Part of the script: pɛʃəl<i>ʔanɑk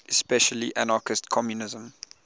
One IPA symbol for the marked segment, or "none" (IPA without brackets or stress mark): i